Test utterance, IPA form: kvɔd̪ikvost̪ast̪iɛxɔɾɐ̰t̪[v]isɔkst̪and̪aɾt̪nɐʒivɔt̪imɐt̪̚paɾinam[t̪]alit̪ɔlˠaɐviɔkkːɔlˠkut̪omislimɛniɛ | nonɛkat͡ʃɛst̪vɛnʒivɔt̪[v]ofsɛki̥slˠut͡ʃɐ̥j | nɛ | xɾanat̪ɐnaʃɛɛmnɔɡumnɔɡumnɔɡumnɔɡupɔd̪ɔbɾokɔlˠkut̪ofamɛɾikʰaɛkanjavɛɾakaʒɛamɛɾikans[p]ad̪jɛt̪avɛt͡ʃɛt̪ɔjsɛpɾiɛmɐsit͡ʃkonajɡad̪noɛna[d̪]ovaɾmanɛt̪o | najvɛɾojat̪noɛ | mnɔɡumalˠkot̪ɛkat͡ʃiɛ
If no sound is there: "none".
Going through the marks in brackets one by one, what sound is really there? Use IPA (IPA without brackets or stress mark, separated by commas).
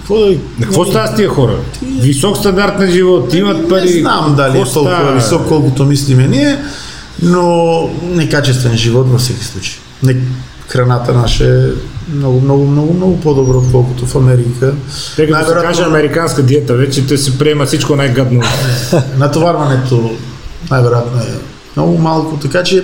v, d̪, v, k, t̪